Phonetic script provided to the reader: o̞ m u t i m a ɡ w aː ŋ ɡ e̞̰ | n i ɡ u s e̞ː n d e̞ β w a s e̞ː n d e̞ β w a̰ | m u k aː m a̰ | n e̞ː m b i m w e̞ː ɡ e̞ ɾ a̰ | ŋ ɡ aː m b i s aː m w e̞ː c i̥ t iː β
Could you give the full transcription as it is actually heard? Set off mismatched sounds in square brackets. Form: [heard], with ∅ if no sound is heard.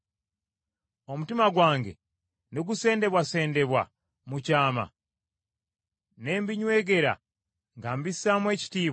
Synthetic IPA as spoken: o̞ m u t i m a ɡ w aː ŋ ɡ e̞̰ | n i ɡ u s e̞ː n d e̞ β w a s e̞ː n d e̞ β w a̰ | m u [c] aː m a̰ | n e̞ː m b i [ɲ] w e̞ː ɡ e̞ ɾ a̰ | ŋ ɡ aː m b i s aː m w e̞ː c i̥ t iː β